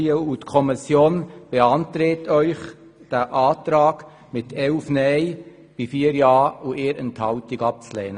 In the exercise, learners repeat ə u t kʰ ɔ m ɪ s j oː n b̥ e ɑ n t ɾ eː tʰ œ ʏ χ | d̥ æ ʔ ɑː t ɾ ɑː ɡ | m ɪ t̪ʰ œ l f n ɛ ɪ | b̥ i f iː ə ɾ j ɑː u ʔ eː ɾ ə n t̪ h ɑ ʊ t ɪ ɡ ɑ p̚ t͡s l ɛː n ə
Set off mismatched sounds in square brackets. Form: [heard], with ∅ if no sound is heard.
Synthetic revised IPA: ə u t kʰ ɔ m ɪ s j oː n b̥ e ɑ n t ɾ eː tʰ œ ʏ χ | d̥ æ ʔ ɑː t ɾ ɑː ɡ | m ɪ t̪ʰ [ɛ] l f n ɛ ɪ | b̥ i f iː ə ɾ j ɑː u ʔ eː ɾ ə n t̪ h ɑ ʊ t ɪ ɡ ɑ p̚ t͡s l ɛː n ə